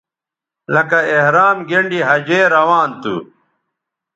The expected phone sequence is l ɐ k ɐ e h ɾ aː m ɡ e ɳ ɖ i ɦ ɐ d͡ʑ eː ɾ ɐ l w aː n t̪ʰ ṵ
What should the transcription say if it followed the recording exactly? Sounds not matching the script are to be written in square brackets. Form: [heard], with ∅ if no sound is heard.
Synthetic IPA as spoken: l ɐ k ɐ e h ɾ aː m ɡ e ɳ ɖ i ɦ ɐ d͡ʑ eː ɾ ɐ [∅] w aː n [t̪] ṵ